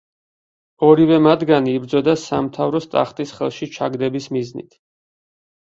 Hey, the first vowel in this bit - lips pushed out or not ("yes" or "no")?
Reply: yes